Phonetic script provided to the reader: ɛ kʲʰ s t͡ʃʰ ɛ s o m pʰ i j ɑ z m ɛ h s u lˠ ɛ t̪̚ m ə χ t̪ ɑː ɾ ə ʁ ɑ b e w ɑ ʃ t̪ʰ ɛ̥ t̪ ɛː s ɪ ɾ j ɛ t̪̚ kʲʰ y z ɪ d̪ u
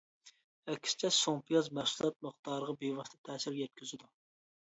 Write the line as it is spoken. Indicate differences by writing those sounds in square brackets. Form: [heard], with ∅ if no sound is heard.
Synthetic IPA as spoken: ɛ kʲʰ s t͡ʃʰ ɛ s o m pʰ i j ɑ z m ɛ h s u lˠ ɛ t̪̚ m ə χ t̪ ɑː ɾ ə ʁ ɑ b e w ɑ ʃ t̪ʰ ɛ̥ [t̪ʰ] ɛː s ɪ ɾ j ɛ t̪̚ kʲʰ y z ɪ d̪ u